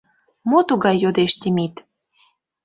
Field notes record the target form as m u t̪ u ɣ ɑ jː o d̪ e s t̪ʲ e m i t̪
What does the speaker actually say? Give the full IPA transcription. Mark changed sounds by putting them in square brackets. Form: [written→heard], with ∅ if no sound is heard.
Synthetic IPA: m [u→o] t̪ u ɣ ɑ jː o d̪ e [s→ʃ] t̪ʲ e m i t̪